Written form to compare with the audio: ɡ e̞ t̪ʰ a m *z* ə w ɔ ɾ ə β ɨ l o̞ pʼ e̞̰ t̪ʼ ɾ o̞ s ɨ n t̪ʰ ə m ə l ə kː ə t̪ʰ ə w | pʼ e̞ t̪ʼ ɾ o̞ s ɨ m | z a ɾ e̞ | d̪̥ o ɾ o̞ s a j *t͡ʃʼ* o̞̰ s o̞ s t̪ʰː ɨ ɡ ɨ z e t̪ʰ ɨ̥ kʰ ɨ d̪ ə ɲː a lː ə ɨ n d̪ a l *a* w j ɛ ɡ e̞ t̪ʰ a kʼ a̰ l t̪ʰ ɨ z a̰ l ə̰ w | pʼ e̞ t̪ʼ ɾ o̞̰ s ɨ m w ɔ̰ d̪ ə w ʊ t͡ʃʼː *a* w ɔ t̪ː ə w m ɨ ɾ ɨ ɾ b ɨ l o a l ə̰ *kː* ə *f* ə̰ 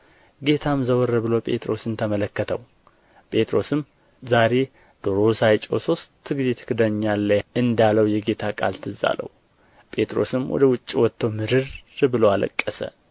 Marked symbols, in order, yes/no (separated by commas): yes, yes, no, no, no, no